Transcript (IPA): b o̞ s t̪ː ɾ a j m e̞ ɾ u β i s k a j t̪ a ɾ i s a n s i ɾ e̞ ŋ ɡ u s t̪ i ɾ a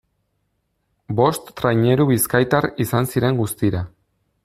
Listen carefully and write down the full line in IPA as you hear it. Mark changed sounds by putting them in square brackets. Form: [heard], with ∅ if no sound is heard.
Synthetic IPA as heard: b o̞ s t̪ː ɾ a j [ɲ] e̞ ɾ u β i s k a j t̪ a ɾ i s a n s i ɾ e̞ ŋ ɡ u s t̪ i ɾ a